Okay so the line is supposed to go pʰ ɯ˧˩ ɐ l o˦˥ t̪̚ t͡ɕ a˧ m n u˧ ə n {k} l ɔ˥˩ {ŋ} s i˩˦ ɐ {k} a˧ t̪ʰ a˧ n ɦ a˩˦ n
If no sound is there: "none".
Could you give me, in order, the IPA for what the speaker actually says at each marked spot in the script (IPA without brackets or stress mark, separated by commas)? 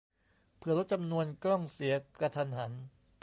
k, ŋ, k